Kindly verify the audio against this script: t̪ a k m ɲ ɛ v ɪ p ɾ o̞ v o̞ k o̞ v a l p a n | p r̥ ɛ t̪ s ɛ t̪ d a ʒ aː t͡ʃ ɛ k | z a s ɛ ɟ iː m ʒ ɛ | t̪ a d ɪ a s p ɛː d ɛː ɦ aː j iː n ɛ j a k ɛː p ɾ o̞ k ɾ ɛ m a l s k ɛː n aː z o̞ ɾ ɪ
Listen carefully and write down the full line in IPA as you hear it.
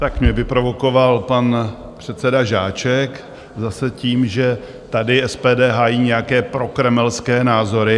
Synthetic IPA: t̪ a k m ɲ ɛ v ɪ p ɾ o̞ v o̞ k o̞ v a l p a n | p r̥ ɛ t̪ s ɛ d a ʒ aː t͡ʃ ɛ k | z a s ɛ c iː m ʒ ɛ | t̪ a d ɪ ɛ s p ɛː d ɛː ɦ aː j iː ɲ ɛ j a k ɛː p ɾ o̞ k ɾ ɛ m ɛ l s k ɛː n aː z o̞ ɾ ɪ